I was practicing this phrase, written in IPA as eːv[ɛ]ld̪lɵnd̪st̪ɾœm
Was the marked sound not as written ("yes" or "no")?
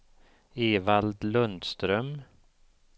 yes